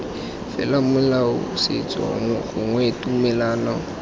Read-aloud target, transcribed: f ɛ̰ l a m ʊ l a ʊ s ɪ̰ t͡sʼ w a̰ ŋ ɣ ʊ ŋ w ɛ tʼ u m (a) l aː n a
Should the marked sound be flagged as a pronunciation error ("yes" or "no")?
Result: yes